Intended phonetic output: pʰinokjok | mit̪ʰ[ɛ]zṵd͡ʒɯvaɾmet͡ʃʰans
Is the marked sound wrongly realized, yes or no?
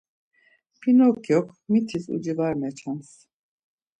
yes